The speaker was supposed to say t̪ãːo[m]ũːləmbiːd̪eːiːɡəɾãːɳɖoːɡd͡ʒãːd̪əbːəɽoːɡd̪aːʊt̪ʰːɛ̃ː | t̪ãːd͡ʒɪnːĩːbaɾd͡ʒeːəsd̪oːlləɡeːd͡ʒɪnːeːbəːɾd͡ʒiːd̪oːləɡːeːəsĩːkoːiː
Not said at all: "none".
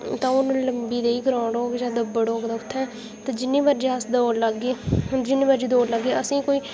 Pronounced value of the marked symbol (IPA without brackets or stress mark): n